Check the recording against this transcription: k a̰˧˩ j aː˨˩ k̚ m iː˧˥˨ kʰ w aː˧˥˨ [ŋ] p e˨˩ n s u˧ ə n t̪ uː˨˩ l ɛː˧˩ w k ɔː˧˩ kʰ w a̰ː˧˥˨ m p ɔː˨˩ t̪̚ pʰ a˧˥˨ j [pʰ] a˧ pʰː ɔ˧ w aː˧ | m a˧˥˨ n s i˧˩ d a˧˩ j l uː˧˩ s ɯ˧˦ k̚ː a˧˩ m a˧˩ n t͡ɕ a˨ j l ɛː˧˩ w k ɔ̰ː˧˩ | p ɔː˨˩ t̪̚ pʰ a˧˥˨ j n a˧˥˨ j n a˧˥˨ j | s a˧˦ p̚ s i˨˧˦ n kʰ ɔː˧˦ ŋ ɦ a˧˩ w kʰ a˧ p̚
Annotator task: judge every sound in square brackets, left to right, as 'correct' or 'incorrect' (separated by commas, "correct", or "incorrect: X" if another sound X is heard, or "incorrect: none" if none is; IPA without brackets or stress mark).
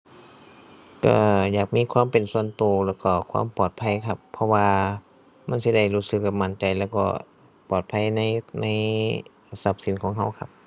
incorrect: m, incorrect: kʰ